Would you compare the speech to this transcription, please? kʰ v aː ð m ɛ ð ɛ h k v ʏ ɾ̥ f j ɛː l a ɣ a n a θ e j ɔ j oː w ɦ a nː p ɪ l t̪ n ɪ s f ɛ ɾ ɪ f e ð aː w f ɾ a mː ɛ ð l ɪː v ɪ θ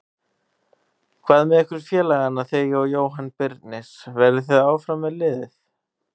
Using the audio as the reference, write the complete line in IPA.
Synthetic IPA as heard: kʰ v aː ð m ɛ ð ɛ h k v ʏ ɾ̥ f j ɛː l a ɣ a n a θ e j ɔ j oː w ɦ a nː p ɪ ɾ t̪ n ɪ s v ɛ ɾ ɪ θ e ð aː w f ɾ a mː ɛ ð l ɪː ð ɪ θ